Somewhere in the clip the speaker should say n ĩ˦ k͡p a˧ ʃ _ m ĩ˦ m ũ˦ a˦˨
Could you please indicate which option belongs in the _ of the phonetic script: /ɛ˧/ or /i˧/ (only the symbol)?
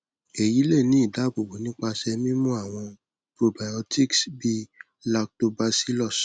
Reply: ɛ˧